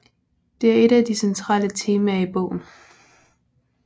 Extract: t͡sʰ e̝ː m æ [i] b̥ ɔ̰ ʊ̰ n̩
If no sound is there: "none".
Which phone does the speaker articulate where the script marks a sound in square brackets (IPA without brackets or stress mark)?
i